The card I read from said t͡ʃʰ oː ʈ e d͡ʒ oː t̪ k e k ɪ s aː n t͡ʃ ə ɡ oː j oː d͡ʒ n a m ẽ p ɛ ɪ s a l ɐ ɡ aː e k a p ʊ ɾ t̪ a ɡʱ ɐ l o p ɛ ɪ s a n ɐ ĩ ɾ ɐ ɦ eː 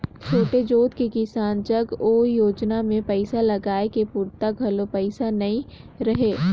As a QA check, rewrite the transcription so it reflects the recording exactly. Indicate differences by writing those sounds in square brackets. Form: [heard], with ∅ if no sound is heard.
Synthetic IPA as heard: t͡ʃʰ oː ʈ e d͡ʒ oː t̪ k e k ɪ s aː n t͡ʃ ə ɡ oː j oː d͡ʒ n a m ẽ p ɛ ɪ s a l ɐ ɡ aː e k [e] p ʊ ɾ t̪ a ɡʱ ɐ l o p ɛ ɪ s a n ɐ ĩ ɾ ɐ ɦ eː